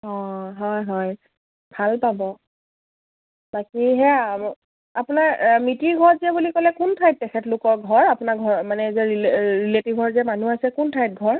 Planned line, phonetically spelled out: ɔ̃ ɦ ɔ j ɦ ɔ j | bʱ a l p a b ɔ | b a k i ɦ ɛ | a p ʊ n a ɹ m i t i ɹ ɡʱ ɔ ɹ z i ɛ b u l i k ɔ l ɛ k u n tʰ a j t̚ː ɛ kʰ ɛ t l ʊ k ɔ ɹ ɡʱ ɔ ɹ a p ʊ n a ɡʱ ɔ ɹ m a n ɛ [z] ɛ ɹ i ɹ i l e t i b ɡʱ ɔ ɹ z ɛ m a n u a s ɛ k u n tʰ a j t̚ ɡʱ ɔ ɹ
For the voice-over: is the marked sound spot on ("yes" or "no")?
yes